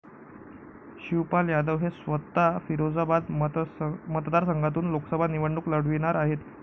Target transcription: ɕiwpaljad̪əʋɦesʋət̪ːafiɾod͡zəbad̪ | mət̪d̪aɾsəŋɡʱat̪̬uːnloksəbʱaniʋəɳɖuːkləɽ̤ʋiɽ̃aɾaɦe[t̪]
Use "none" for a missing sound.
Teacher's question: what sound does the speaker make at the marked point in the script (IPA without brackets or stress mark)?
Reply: t̪